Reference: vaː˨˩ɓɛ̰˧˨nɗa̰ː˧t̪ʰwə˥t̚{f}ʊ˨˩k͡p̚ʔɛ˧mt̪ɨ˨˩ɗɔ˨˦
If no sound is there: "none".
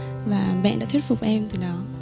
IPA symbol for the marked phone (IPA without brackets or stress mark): f